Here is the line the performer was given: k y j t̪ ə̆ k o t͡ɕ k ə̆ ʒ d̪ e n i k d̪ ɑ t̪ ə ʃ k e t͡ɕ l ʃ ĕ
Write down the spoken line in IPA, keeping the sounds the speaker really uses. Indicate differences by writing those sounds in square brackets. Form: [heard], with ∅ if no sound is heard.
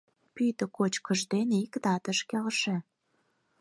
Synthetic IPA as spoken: [p] y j t̪ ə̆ k o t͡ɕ k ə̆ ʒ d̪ e n i k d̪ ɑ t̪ ə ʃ k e [∅] l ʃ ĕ